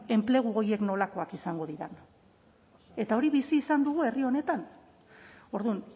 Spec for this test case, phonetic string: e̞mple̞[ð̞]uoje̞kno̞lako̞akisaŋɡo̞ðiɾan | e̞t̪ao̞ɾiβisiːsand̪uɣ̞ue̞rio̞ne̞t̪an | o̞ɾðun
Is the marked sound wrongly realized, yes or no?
yes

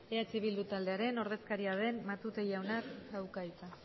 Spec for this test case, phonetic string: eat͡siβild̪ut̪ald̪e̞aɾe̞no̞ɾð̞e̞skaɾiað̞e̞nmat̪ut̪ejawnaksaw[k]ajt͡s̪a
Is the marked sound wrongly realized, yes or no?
no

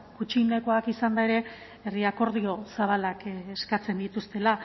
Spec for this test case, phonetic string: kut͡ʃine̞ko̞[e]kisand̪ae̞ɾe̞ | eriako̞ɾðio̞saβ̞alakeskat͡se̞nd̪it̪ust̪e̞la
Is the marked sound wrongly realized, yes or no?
yes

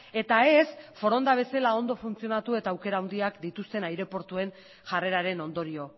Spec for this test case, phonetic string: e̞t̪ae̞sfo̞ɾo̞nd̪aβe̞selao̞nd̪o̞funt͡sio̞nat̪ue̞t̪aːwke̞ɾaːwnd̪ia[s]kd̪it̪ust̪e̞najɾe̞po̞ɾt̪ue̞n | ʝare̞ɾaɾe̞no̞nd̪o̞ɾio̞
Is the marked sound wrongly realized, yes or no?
yes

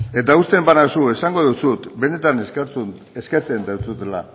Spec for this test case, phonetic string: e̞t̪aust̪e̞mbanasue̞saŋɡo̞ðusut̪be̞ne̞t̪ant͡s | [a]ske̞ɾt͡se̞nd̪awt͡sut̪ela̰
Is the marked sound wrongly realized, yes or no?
yes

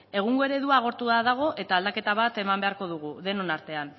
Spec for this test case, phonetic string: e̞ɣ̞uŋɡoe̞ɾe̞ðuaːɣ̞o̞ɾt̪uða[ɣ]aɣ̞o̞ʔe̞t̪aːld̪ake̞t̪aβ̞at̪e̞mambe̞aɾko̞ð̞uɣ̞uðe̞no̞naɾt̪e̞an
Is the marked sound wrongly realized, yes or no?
yes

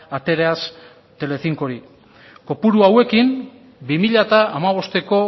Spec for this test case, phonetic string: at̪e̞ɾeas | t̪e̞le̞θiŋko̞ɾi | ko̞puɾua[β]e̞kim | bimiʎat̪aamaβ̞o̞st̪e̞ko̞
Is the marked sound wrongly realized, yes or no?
yes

